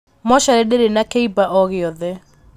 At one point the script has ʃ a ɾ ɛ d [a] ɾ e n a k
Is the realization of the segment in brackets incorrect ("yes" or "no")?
yes